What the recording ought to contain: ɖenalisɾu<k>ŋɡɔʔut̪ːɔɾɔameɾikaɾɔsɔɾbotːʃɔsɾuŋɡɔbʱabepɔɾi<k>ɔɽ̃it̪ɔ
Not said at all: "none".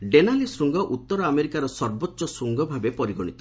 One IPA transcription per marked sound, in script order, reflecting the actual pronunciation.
none, ɡ

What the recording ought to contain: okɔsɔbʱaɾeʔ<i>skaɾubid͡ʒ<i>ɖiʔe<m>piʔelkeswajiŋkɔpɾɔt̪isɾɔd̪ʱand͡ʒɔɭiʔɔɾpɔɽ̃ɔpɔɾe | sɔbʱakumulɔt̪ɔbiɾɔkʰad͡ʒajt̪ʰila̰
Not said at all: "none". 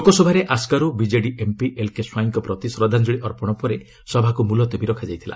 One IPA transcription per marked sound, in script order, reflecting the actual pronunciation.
a, e, m

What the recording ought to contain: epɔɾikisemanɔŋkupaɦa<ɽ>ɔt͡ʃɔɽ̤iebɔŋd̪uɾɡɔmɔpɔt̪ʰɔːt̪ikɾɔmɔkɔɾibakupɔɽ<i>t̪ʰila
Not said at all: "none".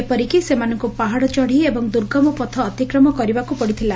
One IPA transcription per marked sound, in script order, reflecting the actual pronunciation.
ɽ, i

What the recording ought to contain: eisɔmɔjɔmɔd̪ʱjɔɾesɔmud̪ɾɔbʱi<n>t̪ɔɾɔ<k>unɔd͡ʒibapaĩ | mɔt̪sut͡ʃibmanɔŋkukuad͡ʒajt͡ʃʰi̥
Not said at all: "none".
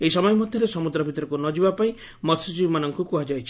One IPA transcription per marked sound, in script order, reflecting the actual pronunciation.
none, k

